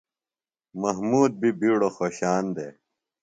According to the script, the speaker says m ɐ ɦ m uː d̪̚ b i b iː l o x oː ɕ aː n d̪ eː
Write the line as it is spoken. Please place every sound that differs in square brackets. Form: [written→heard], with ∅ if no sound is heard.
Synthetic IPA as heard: m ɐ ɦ m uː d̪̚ b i b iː [l→ɽ] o x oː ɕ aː n d̪ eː